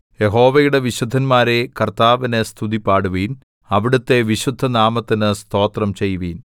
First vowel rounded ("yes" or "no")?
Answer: no